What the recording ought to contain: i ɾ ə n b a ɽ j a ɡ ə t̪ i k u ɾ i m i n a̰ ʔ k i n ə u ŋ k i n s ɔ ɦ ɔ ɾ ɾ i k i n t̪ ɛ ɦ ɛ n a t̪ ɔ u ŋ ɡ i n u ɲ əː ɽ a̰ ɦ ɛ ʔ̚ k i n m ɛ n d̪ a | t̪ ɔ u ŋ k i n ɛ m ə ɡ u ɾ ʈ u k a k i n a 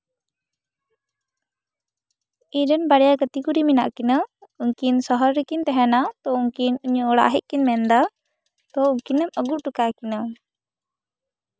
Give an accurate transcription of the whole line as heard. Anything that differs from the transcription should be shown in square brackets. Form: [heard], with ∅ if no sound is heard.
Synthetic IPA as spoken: i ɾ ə n b a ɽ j a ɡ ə t̪ i k u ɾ i m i n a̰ ʔ k i n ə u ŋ k i n s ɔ ɦ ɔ ɾ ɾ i k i n t̪ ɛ ɦ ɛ n a t̪ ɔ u ŋ [k] i n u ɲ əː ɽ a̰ ɦ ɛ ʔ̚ k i n m ɛ n d̪ a | t̪ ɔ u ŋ k i n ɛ m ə ɡ u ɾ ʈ u k a k i n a

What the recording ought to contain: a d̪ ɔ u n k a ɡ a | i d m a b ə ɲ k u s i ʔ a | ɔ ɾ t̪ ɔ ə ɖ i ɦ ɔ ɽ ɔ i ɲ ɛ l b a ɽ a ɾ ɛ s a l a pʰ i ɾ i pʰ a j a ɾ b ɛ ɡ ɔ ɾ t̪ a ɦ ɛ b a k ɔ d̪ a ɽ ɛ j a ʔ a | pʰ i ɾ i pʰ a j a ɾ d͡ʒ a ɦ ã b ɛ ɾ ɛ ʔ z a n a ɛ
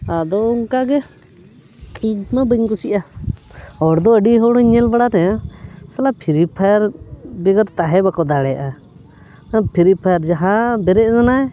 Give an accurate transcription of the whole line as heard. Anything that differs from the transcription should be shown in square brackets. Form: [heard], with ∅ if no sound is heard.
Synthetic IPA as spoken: a d̪ ɔ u [ŋ] k a ɡ [ɛ] | i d m a b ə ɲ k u s i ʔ a | ɔ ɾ [d̪] ɔ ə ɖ i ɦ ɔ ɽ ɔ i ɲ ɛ l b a ɽ a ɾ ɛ s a l a pʰ i ɾ i pʰ a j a ɾ b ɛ ɡ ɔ ɾ t̪ a ɦ ɛ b a k ɔ d̪ a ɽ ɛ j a ʔ a | pʰ i ɾ i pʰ a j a ɾ d͡ʒ a ɦ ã b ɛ ɾ ɛ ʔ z a n a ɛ

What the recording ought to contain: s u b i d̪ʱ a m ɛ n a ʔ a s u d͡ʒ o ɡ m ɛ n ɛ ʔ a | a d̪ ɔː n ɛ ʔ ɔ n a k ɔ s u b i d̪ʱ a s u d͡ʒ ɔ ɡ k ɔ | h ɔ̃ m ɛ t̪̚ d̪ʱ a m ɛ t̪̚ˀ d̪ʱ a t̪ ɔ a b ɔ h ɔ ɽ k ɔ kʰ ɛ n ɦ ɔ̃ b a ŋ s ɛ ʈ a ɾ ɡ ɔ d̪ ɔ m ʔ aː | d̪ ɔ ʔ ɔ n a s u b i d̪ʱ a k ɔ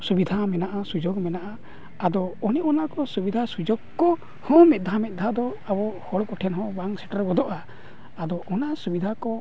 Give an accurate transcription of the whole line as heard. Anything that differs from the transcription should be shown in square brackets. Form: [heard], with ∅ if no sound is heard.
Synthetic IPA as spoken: s u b i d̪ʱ a m ɛ n a ʔ a s u d͡ʒ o ɡ m ɛ n [a] ʔ a | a d̪ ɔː n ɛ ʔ ɔ n a k ɔ s u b i d̪ʱ a s u d͡ʒ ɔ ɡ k ɔ | h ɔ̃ m ɛ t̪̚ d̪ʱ a m ɛ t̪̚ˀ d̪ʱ a [d̪] ɔ a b ɔ h ɔ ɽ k ɔ [ʈʰ] ɛ n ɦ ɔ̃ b a ŋ s ɛ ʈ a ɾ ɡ ɔ d̪ ɔ [∅] ʔ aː | d̪ ɔ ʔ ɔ n a s u b i d̪ʱ a k ɔ

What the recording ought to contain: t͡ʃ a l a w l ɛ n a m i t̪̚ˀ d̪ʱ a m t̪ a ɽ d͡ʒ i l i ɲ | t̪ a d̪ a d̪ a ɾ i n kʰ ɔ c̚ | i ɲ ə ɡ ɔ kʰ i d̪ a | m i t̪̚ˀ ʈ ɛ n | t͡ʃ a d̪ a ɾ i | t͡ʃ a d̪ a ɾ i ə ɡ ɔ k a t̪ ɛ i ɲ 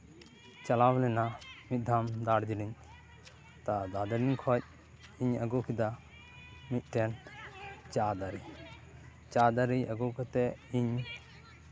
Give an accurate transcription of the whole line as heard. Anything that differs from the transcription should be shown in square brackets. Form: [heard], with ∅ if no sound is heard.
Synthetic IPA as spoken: t͡ʃ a l a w l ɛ n a m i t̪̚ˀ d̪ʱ a m [d̪] a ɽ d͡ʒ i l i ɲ | t̪ a d̪ a d̪ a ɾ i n kʰ ɔ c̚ | i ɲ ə ɡ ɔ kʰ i d̪ a | m i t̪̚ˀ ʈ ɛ n | t͡ʃ a d̪ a ɾ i | t͡ʃ a d̪ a ɾ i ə ɡ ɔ k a t̪ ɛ i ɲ

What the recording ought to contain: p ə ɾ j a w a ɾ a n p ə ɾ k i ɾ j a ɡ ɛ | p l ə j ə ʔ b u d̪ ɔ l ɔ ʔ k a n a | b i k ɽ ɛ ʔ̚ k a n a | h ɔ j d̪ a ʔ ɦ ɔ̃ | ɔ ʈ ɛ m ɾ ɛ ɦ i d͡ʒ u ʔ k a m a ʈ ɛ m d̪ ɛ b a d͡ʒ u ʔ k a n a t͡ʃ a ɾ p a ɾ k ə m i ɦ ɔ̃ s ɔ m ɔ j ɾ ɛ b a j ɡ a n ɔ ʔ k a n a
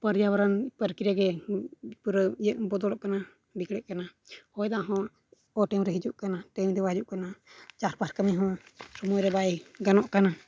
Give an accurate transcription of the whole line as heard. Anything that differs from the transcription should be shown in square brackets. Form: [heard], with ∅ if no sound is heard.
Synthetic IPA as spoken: p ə ɾ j a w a ɾ a n p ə ɾ k i ɾ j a ɡ ɛ | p [ɾ] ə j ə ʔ b [ɔ] d̪ ɔ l ɔ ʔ k a n a | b i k ɽ ɛ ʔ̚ k a n a | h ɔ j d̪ a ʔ ɦ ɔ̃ | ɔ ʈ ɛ m ɾ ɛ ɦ i d͡ʒ u ʔ k a [n] a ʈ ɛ m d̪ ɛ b a d͡ʒ u ʔ k a n a t͡ʃ a ɾ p a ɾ k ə m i ɦ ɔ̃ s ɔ m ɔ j ɾ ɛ b a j ɡ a n ɔ ʔ k a n a

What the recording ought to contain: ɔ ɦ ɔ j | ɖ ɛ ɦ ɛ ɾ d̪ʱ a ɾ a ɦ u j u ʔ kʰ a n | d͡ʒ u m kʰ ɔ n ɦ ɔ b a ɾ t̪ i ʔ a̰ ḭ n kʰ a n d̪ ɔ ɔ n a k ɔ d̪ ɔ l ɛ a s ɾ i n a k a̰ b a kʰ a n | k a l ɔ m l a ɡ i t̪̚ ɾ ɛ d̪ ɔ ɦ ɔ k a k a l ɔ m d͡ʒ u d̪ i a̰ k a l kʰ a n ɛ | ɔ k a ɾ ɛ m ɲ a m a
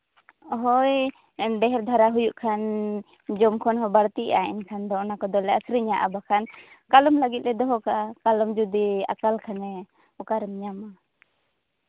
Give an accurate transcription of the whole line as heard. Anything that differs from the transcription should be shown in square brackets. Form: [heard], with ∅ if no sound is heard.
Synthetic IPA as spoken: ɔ ɦ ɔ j | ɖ ɛ ɦ ɛ ɾ d̪ʱ a ɾ a ɦ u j u ʔ kʰ a n | d͡ʒ [ɔ] m kʰ ɔ n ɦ ɔ b a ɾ t̪ i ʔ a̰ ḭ n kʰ a n d̪ ɔ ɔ n a k ɔ d̪ ɔ l ɛ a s ɾ i [ɲ] a [ʔ] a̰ b a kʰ a n | k a l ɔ m l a ɡ i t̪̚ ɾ ɛ d̪ ɔ ɦ ɔ k a k a l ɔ m d͡ʒ u d̪ i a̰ k a l kʰ a n ɛ | ɔ k a ɾ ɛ m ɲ a m a

